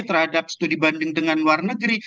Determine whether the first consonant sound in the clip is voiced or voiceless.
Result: voiceless